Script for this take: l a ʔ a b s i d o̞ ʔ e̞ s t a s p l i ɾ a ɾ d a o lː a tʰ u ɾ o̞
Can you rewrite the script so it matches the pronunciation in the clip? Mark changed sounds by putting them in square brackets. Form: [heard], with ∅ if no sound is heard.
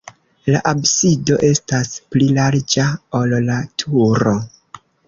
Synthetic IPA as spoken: l a ʔ a b s i d o̞ ʔ e̞ s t a s p l i [l] a ɾ [d͡ʒ] a o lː a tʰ u ɾ o̞